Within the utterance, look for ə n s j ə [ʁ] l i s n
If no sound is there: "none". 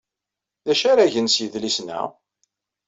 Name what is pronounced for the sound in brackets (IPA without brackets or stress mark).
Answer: ð